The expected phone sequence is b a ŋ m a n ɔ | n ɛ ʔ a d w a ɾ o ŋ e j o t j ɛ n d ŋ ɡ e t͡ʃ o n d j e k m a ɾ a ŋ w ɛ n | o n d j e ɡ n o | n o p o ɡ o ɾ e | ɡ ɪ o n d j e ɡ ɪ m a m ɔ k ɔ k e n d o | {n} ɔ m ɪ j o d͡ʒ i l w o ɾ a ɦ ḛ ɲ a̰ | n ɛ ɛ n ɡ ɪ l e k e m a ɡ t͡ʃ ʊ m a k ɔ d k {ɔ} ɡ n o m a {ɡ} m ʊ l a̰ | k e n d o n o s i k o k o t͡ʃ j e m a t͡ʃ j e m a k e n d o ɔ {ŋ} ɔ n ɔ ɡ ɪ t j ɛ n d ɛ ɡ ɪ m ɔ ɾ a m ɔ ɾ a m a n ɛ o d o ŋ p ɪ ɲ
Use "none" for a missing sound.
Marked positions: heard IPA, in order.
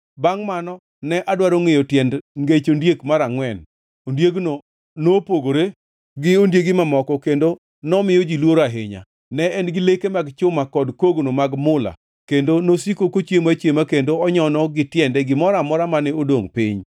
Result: n, o, ɡ, ɲ

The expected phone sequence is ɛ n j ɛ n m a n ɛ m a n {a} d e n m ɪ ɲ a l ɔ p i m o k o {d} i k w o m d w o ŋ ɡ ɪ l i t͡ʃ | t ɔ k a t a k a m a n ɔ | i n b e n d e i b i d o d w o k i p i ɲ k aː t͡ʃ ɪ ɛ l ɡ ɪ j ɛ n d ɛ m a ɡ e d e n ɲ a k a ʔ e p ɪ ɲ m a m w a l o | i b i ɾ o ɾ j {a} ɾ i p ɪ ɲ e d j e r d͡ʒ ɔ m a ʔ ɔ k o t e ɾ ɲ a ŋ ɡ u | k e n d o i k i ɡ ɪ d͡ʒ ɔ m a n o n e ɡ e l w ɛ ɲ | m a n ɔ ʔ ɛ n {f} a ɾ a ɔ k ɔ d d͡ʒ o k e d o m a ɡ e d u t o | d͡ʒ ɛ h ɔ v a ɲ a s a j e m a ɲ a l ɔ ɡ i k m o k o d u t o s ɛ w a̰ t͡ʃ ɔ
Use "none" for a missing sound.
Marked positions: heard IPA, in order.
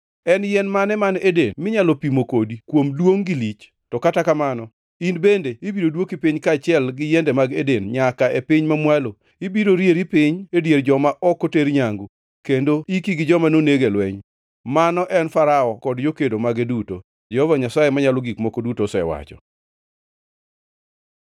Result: e, d, e, f

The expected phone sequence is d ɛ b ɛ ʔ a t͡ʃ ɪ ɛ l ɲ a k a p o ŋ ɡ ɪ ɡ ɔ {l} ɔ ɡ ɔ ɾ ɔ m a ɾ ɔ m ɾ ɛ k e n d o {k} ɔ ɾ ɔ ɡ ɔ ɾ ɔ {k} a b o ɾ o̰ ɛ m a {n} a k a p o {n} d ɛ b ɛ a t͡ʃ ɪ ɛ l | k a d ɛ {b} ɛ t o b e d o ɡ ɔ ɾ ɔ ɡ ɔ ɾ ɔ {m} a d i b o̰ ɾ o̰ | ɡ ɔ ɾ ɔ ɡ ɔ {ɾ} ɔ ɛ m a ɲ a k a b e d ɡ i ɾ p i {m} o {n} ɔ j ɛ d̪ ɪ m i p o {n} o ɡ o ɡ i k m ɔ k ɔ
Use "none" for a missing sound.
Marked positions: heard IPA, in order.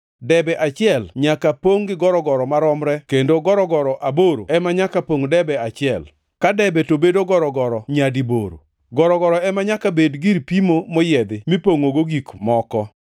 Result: ɾ, ɡ, ʔ, ɲ, ŋ, b, ɲ, ɾ, m, m, ŋ

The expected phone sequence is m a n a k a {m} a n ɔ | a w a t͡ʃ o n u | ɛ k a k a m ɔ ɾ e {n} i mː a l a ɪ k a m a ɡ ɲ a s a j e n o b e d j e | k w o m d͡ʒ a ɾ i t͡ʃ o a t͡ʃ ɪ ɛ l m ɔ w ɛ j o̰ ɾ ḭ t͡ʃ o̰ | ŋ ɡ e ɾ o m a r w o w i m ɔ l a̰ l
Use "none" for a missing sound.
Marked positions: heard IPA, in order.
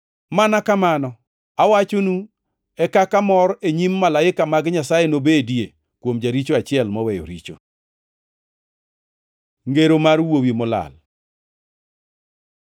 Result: m, ɲ

